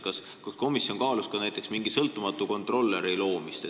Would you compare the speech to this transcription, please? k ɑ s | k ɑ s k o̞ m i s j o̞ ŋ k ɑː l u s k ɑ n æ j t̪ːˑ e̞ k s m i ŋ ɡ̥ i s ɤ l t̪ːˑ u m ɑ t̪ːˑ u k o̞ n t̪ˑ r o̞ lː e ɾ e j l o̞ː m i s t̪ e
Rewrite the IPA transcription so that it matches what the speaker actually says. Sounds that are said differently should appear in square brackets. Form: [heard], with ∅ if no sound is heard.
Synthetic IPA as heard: k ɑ s | k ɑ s k o̞ m i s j o̞ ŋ k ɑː l u s k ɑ n æ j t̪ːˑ e̞ k s m i ŋ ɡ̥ i s ɤ l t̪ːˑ u m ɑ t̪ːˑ u k o̞ n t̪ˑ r o̞ lː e ɾ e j l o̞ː m i s t̪ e